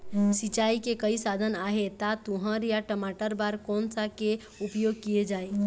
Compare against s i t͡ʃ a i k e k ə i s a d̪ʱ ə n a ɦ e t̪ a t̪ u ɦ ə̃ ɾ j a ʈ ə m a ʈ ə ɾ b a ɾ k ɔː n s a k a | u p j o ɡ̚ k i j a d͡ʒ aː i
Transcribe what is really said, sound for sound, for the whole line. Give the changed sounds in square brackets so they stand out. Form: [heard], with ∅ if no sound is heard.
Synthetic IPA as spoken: s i t͡ʃ a i k e k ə i s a d̪ʱ ə n a ɦ e t̪ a t̪ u ɦ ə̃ ɾ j a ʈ ə m a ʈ ə ɾ b a ɾ k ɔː n s a k [e] | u p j o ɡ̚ k i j [e] d͡ʒ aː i